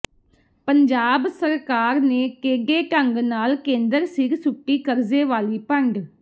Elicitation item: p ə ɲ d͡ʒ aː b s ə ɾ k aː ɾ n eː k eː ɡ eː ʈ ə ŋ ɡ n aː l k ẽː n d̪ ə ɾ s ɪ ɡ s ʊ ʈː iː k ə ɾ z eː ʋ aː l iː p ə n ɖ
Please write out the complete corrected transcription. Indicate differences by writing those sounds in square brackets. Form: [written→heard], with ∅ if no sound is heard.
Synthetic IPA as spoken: p ə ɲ d͡ʒ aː b s ə ɾ k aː ɾ n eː k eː ɡ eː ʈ ə ŋ ɡ n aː l k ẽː n d̪ ə ɾ s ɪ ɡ s ʊ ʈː iː k ə ɾ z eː ʋ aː l iː p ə [n→ɳ] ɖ

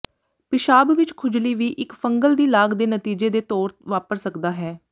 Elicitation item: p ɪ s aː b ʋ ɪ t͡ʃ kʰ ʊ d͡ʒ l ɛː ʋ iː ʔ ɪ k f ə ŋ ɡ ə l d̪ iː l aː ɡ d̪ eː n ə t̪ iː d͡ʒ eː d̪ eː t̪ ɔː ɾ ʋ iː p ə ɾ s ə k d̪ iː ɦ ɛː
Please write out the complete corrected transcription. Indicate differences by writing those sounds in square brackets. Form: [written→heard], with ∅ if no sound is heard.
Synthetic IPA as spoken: p ɪ [s→ʃ] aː b ʋ ɪ t͡ʃ kʰ ʊ d͡ʒ l [ɛː→iː] ʋ iː ʔ ɪ k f ə ŋ ɡ ə l d̪ iː l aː ɡ d̪ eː n ə t̪ iː d͡ʒ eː d̪ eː t̪ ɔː ɾ ʋ [iː→aː] p ə ɾ s ə k d̪ [iː→aː] ɦ ɛː

